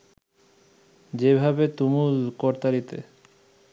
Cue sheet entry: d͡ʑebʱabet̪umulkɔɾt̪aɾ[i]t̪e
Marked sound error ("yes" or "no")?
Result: no